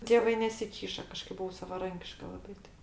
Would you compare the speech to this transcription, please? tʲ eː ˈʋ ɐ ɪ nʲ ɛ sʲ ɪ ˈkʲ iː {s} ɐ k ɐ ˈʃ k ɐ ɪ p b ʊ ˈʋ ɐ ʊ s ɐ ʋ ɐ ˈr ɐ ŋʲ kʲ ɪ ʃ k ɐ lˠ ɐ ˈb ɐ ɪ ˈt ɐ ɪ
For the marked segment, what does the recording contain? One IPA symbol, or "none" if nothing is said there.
ʃ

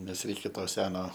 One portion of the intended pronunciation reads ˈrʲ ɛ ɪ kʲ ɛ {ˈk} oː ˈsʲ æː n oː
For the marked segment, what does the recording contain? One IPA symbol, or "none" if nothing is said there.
t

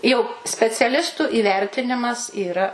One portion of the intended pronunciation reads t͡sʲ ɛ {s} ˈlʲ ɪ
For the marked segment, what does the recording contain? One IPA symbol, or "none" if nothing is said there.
none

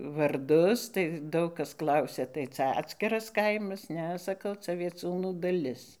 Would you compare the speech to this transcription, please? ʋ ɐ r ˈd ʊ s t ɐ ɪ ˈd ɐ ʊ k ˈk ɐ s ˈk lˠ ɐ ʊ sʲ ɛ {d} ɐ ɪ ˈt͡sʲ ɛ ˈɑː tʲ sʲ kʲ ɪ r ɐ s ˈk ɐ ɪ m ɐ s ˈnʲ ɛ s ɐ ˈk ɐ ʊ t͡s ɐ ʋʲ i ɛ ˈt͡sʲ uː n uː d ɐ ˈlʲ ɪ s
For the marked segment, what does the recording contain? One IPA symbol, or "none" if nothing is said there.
t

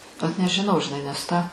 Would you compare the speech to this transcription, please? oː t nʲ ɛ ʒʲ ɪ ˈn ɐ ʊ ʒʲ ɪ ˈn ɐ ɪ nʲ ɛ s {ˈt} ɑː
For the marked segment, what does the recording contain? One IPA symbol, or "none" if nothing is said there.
t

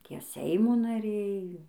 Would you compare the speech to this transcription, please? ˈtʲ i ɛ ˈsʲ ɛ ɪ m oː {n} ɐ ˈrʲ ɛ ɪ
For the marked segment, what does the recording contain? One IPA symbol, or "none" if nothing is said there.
n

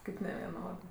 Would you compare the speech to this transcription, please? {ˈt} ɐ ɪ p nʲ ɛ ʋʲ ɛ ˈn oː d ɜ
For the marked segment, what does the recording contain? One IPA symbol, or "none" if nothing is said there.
k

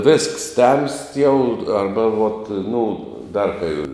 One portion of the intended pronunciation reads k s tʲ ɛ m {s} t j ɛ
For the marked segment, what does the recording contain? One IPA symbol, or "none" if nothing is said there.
s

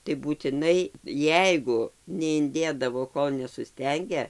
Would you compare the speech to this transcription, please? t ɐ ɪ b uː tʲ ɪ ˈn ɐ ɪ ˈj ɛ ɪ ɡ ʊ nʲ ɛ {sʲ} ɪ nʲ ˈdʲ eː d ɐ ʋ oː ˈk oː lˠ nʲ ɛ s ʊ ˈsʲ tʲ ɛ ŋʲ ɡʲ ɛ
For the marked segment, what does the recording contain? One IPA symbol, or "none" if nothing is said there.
none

